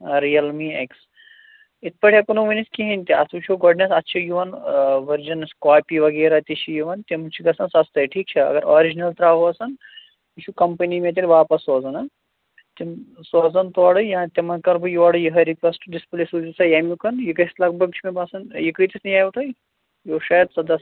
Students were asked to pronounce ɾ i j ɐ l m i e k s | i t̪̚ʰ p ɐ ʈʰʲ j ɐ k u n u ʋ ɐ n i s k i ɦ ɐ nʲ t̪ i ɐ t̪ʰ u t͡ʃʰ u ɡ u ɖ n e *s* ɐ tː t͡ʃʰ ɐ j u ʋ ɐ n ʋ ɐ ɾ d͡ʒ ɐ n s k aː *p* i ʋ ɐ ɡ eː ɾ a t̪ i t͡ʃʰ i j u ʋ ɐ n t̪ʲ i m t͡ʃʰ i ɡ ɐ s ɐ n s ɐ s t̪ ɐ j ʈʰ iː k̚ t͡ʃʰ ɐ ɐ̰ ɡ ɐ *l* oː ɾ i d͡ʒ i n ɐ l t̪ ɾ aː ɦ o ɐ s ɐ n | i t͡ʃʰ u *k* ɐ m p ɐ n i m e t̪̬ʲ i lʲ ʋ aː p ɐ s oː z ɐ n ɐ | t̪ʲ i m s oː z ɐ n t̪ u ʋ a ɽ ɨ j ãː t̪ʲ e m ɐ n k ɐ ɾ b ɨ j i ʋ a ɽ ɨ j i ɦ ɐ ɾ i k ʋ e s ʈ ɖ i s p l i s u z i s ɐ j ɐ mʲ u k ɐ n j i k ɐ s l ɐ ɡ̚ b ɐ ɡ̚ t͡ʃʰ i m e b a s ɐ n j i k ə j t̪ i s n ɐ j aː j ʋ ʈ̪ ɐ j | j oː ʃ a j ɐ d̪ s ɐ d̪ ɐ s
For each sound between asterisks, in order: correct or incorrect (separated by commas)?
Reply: correct, correct, incorrect, correct